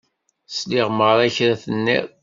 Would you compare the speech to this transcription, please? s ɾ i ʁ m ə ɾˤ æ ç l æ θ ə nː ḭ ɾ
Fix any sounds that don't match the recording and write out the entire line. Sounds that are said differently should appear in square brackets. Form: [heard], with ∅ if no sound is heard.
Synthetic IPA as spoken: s [l] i ʁ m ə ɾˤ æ ç [ɾ] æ θ ə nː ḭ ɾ